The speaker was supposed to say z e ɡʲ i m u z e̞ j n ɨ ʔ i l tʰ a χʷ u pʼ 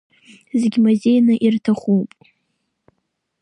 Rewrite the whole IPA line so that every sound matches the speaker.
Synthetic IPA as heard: z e ɡʲ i m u z e̞ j n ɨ ʔ i r tʰ a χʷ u pʼ